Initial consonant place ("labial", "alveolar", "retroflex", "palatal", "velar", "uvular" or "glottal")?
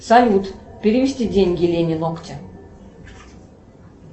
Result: alveolar